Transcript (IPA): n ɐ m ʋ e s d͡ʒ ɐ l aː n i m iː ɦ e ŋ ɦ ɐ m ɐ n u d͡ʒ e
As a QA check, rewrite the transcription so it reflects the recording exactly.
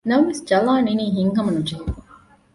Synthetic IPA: n ɐ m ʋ e s d͡ʒ ɐ l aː n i n iː ɦ i ŋ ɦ ɐ m ɐ n u d͡ʒ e